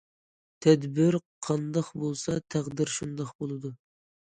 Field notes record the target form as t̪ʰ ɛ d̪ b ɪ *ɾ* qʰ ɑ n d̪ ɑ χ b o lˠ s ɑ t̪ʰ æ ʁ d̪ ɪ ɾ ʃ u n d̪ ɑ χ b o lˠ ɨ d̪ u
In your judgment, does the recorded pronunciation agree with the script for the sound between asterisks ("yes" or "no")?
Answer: yes